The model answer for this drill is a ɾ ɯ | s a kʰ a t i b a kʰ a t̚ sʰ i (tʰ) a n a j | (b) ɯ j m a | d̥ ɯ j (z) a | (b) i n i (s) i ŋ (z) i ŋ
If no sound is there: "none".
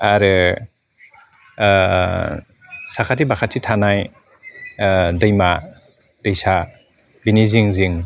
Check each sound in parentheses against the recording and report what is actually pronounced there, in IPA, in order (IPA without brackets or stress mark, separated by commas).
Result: tʰ, d, s, b, z, z